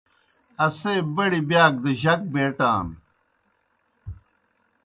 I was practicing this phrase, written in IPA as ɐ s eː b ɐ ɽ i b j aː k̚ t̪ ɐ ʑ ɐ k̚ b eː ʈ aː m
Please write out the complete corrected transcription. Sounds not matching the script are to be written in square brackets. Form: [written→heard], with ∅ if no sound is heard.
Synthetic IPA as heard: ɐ s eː b ɐ ɽ i b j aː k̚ [t̪→d̪] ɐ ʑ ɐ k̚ b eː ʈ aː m